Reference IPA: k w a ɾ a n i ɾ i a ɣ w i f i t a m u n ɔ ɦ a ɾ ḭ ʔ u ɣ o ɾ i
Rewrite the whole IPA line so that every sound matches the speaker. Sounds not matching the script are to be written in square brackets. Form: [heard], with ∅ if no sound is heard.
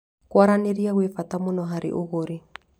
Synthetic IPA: k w a ɾ a n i ɾ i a ɣ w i f [a] t a m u n ɔ ɦ a ɾ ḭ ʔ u ɣ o ɾ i